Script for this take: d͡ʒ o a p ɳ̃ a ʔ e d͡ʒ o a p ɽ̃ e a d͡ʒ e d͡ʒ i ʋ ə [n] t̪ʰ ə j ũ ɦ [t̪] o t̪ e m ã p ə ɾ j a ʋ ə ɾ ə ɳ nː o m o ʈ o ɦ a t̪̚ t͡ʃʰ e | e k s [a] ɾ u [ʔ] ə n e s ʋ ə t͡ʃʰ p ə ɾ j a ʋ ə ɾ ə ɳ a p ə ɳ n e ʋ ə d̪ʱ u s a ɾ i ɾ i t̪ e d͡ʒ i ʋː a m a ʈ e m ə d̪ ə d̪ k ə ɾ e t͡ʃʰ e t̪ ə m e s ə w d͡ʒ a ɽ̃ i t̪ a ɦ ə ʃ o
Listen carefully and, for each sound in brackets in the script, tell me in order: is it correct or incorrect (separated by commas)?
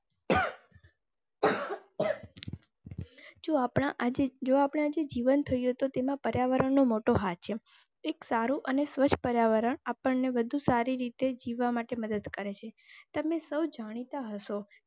correct, correct, correct, correct